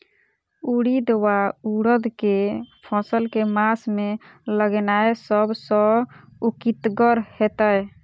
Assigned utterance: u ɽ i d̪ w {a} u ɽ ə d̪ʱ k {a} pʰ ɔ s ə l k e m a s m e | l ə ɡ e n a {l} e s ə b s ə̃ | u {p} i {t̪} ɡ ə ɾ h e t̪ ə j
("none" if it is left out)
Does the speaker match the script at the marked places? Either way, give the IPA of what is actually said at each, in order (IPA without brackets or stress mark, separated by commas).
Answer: a, e, none, k, t̪